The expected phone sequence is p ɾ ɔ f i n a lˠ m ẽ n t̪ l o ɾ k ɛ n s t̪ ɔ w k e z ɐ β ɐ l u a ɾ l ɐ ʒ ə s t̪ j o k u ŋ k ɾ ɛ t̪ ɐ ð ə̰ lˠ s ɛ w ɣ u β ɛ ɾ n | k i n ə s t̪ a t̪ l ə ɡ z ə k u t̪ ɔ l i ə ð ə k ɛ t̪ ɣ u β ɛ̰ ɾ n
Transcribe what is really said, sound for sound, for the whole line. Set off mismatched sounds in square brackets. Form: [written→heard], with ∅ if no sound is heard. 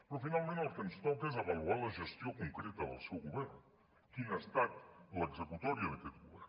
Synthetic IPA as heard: p ɾ ɔ f i n a lˠ m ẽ n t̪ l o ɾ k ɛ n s t̪ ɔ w k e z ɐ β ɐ l u a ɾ l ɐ ʒ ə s t̪ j o k u ŋ k ɾ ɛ t̪ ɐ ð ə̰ lˠ s ɛ w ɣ u β ɛ ɾ n | k i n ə s t̪ a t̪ l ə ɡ z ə k u t̪ ɔ [l→ɾ] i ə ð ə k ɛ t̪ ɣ u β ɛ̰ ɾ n